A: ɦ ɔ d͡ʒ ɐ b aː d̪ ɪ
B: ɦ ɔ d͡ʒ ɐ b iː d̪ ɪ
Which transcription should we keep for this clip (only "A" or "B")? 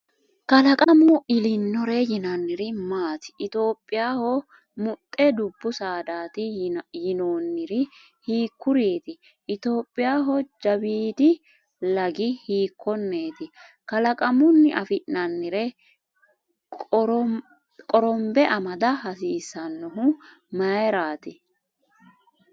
B